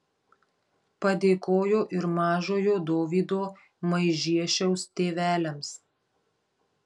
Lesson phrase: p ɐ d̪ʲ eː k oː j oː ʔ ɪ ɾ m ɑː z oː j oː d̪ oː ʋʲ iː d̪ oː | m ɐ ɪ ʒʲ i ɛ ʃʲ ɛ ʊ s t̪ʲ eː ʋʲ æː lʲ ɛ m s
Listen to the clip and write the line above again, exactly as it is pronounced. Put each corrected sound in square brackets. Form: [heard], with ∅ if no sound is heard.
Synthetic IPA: p ɐ d̪ʲ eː k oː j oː ʔ ɪ ɾ m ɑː [ʒ] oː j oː d̪ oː ʋʲ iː d̪ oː | m ɐ ɪ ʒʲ i ɛ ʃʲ ɛ ʊ s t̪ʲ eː ʋʲ æː lʲ ɛ m s